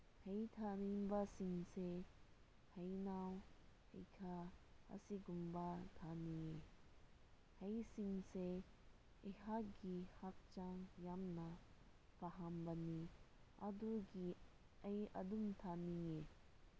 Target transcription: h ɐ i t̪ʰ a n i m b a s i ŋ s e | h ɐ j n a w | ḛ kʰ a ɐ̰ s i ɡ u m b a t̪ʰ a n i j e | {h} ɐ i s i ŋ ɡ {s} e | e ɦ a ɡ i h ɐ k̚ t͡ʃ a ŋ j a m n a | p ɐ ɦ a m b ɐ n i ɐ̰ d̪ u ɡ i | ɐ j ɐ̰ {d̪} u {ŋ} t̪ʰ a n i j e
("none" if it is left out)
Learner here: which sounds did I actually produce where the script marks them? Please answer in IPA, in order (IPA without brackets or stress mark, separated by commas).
h, s, d̪, m